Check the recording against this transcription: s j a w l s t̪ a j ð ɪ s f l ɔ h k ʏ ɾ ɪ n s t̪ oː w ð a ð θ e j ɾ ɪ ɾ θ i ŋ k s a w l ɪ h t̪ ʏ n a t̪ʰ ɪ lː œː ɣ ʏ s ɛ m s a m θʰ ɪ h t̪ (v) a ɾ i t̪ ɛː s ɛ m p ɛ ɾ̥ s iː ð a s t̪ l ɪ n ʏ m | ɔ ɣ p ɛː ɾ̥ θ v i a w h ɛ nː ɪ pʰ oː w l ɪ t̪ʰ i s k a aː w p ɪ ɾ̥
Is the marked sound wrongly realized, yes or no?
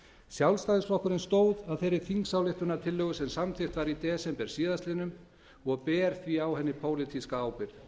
no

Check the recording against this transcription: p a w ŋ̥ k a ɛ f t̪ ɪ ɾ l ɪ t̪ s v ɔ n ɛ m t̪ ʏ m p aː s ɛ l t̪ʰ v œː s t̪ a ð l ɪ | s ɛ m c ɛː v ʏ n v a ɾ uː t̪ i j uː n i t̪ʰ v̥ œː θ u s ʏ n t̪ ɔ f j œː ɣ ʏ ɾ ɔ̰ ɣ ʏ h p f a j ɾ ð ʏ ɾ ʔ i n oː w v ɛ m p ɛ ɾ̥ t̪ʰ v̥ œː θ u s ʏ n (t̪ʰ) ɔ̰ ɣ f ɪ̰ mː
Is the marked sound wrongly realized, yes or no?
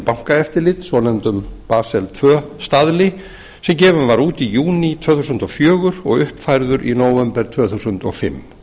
yes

